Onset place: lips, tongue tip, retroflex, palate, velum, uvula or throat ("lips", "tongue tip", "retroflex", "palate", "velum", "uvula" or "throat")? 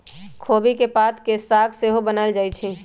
velum